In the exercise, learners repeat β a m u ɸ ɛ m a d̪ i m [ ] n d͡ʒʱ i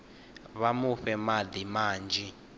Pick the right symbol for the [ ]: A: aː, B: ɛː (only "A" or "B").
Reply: A